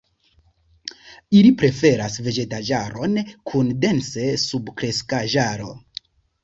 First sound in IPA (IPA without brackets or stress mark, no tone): i